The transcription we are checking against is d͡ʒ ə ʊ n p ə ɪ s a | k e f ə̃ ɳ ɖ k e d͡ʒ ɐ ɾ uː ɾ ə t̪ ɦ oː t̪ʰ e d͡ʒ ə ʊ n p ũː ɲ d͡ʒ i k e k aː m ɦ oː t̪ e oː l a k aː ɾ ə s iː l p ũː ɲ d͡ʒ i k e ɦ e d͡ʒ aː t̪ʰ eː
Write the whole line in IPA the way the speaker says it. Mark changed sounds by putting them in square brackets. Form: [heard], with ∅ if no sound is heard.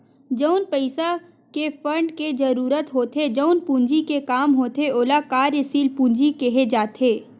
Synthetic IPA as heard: d͡ʒ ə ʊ n p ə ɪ s a | k e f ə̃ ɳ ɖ k e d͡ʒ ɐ ɾ uː ɾ ə t̪ ɦ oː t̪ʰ e d͡ʒ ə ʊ n p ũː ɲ d͡ʒ i k e k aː m ɦ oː t̪ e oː l a k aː ɾ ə s iː l p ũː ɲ d͡ʒ i k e ɦ e d͡ʒ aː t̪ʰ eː